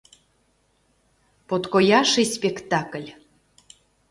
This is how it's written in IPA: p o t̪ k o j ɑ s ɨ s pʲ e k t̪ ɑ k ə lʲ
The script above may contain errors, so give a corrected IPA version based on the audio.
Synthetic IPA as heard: p o t̪ k o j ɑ ʃ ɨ s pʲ e k t̪ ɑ k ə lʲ